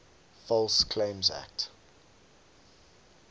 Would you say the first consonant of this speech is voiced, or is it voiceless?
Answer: voiceless